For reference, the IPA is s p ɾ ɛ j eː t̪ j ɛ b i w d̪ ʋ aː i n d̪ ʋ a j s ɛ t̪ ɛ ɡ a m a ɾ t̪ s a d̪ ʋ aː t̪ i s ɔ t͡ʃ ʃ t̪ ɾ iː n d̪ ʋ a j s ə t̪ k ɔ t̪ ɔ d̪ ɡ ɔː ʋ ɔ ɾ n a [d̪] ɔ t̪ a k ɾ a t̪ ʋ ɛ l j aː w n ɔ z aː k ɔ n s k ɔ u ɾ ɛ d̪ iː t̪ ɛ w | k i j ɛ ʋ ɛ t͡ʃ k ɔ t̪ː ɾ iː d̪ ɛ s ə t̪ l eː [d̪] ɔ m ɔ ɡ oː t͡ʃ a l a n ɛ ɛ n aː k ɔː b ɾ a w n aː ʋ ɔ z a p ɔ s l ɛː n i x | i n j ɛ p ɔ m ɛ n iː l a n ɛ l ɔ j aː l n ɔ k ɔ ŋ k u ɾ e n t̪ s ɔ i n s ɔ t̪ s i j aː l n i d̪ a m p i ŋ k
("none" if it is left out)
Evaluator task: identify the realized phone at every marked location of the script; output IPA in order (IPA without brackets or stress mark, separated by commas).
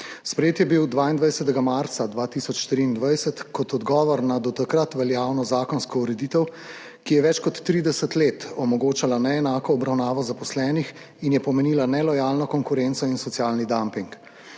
d̪, t̪